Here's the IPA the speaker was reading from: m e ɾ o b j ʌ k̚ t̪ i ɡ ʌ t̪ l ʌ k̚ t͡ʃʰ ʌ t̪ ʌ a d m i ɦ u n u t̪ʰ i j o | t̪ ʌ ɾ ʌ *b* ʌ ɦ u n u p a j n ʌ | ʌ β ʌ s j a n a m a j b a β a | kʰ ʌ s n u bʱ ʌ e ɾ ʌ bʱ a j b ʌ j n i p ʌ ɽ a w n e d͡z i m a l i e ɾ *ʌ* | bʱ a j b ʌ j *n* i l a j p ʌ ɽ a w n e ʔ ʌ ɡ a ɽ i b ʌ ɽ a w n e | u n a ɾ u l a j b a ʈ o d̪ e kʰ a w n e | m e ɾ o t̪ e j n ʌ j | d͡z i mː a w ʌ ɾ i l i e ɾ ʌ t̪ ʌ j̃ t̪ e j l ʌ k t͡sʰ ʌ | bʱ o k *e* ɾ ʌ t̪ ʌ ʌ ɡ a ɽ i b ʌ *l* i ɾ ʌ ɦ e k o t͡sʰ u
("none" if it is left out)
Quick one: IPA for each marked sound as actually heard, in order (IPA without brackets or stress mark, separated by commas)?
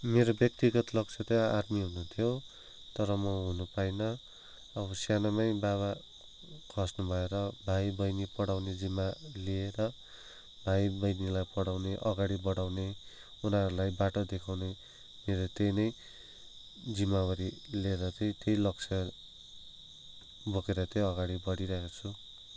m, ʌ, n, e, ɽ